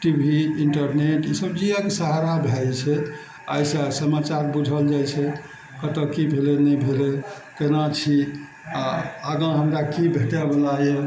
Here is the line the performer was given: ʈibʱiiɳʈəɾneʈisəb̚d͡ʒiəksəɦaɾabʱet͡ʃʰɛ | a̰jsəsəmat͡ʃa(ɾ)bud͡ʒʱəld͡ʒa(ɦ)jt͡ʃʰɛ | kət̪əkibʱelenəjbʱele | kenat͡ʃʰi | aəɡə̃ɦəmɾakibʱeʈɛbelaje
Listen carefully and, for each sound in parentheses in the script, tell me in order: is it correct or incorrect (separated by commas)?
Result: correct, incorrect